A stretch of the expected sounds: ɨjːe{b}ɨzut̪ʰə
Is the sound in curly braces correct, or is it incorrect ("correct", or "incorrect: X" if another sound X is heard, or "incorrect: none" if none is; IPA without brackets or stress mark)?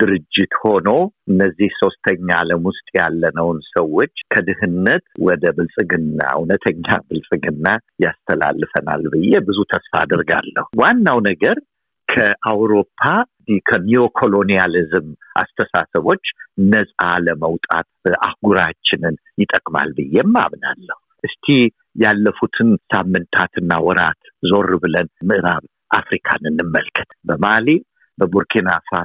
correct